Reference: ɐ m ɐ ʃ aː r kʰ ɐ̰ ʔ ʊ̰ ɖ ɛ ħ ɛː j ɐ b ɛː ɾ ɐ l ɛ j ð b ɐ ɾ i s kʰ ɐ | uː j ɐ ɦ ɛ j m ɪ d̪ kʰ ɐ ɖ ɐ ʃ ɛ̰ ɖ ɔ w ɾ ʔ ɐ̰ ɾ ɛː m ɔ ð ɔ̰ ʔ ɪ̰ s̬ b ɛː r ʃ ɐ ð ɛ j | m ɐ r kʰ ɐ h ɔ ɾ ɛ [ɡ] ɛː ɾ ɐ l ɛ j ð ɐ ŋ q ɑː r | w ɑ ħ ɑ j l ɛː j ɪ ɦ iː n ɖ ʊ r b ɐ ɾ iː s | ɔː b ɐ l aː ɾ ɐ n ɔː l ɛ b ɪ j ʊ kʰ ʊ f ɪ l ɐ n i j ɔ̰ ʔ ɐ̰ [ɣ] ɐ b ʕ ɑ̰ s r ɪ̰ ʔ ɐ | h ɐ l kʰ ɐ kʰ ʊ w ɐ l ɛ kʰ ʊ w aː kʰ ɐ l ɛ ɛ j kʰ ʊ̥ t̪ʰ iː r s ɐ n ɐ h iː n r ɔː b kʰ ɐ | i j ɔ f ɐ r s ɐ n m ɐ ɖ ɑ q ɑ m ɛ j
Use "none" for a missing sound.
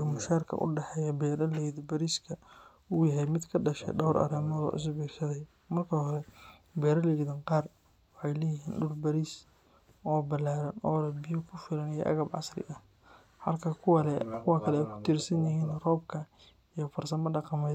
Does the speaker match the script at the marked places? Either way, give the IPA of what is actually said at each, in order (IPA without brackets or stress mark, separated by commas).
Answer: b, ɣ